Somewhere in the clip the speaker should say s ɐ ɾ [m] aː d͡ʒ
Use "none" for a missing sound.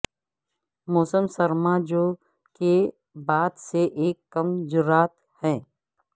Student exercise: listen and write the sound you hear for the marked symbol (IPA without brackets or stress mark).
m